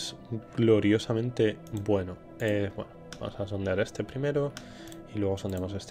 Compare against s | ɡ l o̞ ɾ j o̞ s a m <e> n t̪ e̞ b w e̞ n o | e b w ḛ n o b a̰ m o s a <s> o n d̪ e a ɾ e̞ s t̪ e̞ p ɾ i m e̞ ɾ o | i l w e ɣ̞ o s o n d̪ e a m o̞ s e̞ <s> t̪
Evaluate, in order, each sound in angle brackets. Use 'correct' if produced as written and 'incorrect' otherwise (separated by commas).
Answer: incorrect, correct, correct